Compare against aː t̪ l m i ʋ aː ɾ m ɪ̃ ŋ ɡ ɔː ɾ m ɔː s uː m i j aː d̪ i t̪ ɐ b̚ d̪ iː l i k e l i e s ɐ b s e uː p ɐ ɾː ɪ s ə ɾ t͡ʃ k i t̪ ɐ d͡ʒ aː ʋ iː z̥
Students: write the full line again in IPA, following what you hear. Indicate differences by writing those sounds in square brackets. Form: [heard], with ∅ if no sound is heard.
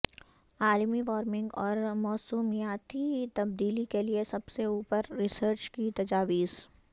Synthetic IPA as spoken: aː [∅] l m i ʋ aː ɾ m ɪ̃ ŋ ɡ ɔː ɾ m ɔː s uː m i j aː [t̪] i t̪ ɐ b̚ d̪ iː l i k e l i e s ɐ b s e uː p [ə] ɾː ɪ s ə ɾ t͡ʃ k i t̪ ɐ d͡ʒ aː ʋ iː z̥